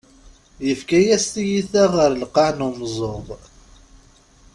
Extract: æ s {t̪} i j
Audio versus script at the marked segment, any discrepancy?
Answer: no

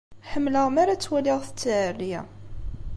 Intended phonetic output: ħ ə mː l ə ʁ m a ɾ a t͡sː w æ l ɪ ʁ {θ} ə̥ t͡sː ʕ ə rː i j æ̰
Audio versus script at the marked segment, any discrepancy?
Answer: no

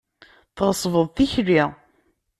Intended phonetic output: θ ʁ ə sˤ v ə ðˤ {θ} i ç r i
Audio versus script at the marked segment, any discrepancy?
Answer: no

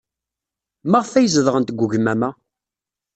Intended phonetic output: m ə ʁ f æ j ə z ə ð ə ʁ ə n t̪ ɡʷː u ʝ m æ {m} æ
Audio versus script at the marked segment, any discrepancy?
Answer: no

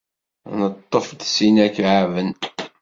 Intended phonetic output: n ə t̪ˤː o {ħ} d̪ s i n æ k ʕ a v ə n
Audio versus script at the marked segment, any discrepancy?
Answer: yes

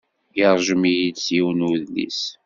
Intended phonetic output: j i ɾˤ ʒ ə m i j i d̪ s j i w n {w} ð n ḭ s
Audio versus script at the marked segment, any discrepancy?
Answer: yes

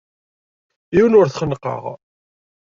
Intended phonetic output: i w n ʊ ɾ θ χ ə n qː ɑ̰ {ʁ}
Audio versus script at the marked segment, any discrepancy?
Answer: no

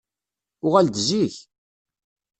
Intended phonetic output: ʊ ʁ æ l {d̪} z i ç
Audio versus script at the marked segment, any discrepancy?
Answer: no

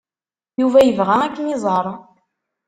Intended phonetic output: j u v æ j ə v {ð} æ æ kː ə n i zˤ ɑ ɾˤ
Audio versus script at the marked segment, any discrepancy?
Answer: yes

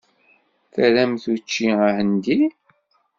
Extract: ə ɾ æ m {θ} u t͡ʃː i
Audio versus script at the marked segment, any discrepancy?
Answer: no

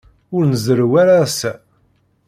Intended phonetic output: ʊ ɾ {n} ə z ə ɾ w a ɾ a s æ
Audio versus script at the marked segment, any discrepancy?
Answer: no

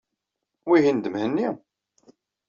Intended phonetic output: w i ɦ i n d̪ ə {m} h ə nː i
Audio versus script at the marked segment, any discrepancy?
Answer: no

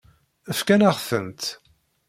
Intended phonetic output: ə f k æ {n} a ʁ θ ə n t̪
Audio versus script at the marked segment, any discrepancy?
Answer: no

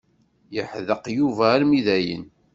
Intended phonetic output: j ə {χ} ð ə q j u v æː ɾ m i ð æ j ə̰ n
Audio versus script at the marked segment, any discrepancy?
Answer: yes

